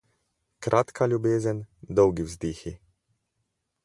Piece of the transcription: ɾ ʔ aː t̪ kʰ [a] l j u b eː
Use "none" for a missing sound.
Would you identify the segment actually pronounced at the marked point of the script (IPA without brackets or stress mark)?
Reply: a